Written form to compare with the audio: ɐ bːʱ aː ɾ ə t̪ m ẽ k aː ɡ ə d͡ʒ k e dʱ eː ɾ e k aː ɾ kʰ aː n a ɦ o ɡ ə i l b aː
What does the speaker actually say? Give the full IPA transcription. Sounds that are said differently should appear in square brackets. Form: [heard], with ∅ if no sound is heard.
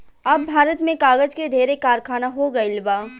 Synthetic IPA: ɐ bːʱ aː ɾ ə t̪ m ẽ k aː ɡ ə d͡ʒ k e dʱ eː ɾ e k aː ɾ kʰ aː n a ɦ o ɡ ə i l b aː

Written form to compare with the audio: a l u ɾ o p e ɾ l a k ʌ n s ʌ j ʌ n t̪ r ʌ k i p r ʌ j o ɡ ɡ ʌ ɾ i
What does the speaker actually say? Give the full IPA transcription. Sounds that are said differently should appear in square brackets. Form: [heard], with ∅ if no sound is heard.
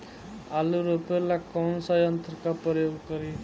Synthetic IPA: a l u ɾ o p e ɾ l a k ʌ n s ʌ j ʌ n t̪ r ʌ k [a] p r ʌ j o ɡ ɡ ʌ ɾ i

